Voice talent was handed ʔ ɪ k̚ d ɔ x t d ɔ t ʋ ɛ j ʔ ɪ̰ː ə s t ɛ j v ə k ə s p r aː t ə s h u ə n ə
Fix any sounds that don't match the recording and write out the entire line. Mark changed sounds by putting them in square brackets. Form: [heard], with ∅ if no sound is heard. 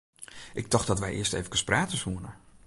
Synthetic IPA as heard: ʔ ɪ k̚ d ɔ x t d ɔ t ʋ ɛ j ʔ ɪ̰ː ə s t [e] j v ə k ə s p r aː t ə s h u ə n ə